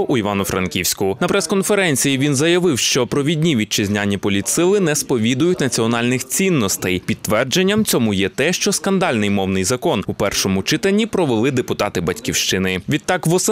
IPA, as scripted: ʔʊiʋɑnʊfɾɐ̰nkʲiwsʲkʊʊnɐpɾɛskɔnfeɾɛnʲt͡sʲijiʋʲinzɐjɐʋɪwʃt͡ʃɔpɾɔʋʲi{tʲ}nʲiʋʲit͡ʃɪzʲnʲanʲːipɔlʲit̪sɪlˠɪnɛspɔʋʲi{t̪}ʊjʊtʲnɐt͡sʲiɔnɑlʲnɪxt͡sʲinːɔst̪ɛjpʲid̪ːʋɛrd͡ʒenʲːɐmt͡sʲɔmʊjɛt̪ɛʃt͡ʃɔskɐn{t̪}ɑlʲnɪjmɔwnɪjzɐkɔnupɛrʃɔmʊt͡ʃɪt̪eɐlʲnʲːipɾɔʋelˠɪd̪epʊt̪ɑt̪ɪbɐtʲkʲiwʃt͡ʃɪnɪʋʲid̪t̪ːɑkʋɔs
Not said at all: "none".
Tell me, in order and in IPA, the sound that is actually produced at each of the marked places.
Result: dʲ, d̪, d̪

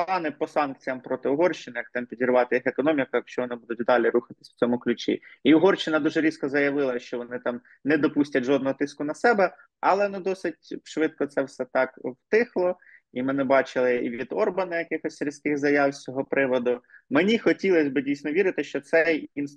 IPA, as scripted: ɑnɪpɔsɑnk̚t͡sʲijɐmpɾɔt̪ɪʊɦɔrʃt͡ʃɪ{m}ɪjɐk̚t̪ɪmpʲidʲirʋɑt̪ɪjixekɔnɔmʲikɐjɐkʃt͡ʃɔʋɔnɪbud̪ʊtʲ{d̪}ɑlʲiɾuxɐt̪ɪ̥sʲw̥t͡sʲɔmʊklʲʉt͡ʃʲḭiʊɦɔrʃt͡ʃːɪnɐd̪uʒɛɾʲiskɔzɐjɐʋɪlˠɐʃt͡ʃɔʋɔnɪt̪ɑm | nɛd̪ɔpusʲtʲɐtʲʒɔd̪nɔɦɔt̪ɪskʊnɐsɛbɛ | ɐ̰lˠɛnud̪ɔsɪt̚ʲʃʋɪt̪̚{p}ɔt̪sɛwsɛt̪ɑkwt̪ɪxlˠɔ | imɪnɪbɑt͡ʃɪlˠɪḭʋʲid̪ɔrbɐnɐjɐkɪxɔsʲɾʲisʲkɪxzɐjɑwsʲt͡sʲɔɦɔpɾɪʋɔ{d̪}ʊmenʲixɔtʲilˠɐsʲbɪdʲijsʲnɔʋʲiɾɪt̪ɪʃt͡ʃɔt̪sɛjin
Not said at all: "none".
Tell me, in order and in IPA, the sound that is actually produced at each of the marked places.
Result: n, d̪, k, d̪

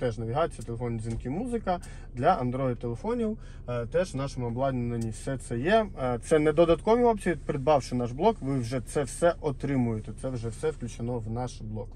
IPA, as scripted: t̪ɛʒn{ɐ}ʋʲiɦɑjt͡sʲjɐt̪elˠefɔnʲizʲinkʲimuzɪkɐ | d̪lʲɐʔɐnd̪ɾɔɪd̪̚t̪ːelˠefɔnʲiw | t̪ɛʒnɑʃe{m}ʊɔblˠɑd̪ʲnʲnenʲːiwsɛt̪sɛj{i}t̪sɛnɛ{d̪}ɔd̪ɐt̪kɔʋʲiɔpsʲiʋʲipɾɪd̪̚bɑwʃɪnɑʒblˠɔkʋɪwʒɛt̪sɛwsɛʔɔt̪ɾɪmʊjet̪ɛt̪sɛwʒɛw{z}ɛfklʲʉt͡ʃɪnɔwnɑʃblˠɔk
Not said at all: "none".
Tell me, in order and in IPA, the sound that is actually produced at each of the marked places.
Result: ɐ, m, ɛ, d̪, s

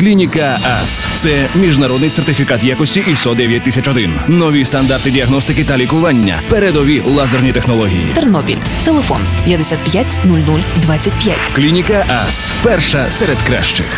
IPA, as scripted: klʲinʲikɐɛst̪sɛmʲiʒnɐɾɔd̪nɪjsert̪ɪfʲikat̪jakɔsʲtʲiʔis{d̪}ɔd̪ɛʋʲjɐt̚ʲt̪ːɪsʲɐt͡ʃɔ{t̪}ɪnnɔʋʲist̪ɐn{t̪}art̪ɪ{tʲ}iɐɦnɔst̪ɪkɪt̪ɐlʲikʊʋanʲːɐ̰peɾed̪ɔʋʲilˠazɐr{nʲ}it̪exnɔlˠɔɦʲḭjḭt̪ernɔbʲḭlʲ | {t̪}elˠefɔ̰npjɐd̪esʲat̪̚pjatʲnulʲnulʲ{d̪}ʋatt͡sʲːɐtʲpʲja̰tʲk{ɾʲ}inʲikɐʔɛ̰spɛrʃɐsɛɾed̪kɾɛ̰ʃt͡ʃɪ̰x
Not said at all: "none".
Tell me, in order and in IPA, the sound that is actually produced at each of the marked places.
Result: t̪, d̪, d̪, dʲ, nʲ, t̪, d̪, lʲ

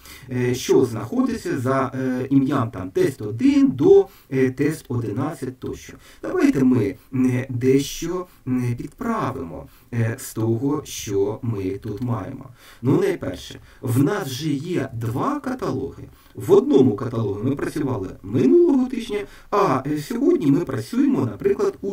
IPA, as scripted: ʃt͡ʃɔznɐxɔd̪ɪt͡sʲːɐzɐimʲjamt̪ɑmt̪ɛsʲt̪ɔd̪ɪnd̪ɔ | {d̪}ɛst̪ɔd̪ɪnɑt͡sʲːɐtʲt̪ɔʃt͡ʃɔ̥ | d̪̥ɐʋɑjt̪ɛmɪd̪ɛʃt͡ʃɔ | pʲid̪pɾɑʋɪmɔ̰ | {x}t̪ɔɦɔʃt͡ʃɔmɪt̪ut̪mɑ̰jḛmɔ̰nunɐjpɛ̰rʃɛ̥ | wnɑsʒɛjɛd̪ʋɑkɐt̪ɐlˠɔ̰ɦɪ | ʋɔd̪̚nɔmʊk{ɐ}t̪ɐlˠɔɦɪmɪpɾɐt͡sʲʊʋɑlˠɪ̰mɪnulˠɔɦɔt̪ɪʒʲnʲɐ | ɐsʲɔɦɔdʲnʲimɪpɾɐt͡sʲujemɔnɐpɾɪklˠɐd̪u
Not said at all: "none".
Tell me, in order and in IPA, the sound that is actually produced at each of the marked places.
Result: t̪, s, ɐ

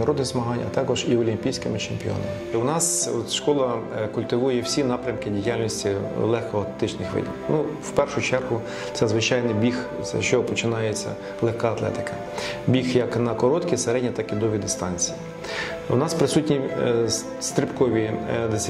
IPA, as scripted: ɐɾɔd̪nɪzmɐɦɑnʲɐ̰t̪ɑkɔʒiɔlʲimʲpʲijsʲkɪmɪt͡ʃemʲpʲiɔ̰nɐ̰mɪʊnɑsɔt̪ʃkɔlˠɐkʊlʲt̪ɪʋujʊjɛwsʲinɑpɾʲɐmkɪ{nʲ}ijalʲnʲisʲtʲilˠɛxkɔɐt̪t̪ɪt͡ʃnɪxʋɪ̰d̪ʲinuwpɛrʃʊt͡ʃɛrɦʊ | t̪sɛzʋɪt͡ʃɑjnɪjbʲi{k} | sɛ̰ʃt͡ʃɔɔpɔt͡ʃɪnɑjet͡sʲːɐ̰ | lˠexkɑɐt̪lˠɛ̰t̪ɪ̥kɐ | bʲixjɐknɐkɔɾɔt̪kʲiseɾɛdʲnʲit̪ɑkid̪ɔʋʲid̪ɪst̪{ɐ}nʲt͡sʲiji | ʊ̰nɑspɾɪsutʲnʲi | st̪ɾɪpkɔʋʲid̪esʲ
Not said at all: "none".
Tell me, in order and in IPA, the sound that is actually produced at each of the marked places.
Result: dʲ, x, ɑ

